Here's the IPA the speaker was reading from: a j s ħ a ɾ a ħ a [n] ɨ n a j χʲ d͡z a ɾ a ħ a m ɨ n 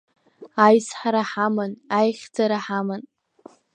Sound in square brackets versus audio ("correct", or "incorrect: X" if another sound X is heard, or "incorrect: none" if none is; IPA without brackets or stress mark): incorrect: m